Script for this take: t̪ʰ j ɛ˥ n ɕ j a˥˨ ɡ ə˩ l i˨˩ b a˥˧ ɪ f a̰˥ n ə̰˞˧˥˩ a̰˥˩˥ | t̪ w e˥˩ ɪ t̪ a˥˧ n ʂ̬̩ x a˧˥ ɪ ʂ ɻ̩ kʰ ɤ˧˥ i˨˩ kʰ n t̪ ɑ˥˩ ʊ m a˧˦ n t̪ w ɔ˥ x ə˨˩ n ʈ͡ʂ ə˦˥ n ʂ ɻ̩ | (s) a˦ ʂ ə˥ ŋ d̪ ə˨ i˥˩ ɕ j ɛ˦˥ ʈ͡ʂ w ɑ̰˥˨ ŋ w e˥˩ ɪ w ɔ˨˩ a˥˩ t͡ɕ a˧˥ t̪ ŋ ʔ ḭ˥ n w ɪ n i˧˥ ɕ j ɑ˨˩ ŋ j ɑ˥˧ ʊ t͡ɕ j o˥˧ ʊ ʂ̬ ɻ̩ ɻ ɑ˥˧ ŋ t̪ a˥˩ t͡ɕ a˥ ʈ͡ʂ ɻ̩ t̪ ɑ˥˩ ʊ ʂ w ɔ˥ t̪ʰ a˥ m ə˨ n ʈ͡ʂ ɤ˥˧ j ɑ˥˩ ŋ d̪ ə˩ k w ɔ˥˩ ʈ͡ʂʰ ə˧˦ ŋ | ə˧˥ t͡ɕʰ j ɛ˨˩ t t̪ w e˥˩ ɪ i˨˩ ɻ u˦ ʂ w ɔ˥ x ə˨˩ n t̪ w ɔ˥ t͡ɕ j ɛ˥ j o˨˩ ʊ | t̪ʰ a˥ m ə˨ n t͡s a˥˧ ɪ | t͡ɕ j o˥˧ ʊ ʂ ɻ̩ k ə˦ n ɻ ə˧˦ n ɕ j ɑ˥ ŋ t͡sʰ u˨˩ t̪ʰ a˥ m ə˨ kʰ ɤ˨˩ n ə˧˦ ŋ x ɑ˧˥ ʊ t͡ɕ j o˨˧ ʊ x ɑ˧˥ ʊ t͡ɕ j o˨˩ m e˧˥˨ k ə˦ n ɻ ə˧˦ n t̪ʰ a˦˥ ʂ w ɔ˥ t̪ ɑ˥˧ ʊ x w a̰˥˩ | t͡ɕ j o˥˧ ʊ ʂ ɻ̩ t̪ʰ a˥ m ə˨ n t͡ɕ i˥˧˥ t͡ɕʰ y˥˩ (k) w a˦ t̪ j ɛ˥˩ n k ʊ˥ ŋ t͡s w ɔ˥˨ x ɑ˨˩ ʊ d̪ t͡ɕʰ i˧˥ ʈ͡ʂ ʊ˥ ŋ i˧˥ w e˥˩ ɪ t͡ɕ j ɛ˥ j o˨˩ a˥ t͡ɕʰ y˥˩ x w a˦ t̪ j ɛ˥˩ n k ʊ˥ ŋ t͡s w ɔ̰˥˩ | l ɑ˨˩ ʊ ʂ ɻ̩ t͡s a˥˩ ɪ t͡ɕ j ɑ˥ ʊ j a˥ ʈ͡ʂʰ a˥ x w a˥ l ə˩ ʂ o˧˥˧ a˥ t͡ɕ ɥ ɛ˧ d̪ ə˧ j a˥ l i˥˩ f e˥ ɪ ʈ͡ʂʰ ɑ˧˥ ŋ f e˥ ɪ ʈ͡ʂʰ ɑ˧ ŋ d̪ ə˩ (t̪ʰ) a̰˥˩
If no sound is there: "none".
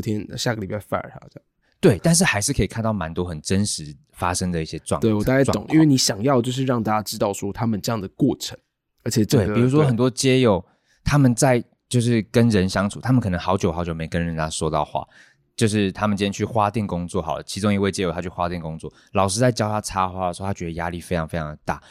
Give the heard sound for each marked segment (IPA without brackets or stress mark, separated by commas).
f, x, t̪